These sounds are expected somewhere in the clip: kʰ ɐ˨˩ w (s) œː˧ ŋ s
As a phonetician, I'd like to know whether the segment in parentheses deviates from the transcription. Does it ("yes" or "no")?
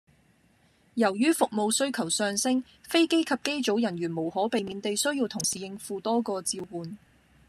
no